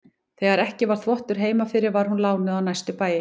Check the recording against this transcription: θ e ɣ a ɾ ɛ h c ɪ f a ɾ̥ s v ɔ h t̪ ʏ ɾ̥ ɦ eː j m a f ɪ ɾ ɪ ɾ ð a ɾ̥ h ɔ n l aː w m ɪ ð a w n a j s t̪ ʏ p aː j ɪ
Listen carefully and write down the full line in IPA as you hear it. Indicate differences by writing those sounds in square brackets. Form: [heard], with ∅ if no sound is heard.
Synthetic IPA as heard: θ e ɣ a ɾ ɛ h c ɪ [v] a ɾ̥ [θ] v ɔ h t̪ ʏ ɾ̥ ɦ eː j m a f ɪ ɾ ɪ ɾ [v] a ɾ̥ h [u] n l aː w [n] ɪ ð a w n a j s t̪ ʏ p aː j ɪ